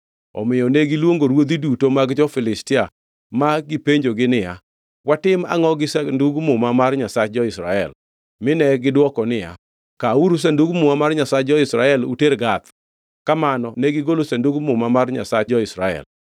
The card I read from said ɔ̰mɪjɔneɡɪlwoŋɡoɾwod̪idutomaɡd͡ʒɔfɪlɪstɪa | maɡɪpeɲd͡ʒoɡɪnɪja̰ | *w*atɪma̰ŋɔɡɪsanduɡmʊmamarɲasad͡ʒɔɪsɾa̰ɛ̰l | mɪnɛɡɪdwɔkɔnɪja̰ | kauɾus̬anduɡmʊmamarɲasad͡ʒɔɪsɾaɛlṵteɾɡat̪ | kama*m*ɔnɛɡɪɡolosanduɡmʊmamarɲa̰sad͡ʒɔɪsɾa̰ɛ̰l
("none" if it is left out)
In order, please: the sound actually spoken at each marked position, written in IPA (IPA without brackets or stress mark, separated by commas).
w, n